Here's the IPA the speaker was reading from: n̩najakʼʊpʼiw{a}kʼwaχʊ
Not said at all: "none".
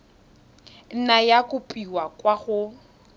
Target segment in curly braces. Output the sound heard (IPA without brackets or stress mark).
a